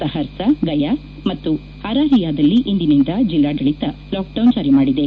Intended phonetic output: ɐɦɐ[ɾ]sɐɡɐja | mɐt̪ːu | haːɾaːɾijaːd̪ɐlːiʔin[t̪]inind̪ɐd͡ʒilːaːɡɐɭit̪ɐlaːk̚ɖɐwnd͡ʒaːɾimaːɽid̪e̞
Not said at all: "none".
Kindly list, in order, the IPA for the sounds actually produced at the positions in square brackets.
ɾ, d̪

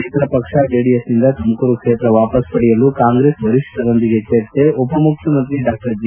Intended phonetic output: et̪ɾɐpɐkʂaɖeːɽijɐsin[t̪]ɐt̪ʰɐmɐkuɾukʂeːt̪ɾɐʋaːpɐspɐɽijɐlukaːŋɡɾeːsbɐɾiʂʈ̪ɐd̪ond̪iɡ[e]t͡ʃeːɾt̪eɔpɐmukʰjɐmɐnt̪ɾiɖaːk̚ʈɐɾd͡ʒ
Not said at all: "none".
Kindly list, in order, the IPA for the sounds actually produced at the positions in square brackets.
d̪, e

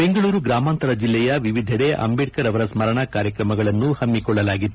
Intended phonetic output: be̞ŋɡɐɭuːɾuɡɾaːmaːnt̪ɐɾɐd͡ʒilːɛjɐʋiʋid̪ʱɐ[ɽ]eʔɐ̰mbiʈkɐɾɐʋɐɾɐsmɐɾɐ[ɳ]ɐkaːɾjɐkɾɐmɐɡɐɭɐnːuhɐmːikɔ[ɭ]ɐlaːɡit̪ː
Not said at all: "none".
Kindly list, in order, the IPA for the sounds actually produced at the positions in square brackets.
ɽ, ɳ, ɭː

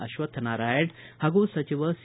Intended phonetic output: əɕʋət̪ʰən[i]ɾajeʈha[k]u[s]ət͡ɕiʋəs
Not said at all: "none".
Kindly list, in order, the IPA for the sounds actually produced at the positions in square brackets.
a, ɡ, s

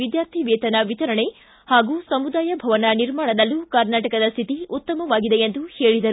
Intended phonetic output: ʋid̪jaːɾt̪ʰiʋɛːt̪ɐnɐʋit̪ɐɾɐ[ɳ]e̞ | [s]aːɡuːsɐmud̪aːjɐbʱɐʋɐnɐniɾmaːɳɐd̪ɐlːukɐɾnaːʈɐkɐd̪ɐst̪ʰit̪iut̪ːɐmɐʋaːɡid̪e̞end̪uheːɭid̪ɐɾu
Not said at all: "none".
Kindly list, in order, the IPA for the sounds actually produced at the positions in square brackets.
ɳ, h

